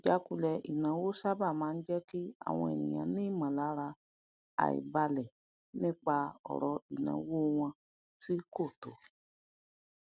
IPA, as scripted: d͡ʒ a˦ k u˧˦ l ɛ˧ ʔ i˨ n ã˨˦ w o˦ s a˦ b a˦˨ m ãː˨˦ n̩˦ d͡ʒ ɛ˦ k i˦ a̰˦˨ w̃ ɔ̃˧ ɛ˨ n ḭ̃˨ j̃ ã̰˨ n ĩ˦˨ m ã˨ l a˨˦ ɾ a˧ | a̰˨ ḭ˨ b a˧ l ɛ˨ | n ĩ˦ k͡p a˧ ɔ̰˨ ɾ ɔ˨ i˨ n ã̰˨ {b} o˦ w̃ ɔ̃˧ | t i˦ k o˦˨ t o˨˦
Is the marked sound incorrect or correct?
incorrect